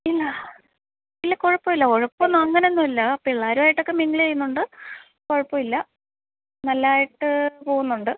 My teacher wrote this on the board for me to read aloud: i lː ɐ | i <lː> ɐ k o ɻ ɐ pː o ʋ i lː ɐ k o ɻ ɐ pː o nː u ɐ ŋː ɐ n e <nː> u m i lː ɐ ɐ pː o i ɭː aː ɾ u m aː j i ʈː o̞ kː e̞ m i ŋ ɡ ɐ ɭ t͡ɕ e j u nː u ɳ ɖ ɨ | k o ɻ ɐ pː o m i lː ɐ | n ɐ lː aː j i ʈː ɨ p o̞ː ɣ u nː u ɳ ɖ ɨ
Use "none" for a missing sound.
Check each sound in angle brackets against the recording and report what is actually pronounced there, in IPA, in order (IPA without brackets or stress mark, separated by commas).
lː, nː